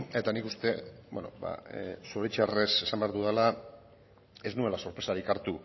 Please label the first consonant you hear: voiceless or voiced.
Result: voiceless